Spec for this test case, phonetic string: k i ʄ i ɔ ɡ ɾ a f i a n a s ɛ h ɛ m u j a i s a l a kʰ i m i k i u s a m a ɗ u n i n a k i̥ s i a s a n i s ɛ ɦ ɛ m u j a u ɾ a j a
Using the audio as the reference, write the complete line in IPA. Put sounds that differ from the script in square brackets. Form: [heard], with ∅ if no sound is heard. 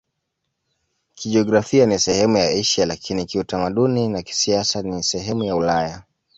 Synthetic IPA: k i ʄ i ɔ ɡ ɾ a f i a n [i] s ɛ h ɛ m u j a i [ʃ] a l a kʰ i [n] i k i u [t] a m a ɗ u n i n a k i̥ s i a s a n i s ɛ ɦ ɛ m u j a u [l] a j a